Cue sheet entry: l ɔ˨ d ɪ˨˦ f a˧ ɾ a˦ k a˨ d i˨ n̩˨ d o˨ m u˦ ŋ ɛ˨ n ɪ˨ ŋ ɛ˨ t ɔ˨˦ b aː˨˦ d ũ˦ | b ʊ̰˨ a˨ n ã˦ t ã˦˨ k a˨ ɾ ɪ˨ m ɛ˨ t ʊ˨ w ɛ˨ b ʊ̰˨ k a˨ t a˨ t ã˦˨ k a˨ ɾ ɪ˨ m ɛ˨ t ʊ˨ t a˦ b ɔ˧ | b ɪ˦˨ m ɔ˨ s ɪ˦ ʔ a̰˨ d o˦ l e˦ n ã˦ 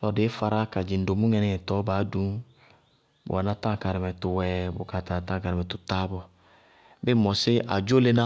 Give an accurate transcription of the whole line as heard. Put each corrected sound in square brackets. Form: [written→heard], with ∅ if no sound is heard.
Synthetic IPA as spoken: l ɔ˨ d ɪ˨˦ f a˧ ɾ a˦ k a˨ [d→d͡ʒ] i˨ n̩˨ d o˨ m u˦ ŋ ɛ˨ n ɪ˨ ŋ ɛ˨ t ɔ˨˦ b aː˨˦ d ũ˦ | b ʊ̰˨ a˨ n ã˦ t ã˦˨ k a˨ ɾ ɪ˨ m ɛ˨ t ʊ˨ w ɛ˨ b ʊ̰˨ k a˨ t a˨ t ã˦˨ k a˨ ɾ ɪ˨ m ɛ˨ t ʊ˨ t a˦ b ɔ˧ | b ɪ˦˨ m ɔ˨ s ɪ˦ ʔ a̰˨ [d→d͡ʒ] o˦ l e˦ n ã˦